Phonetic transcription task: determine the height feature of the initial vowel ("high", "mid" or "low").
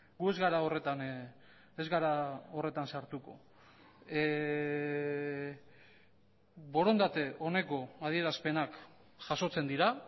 high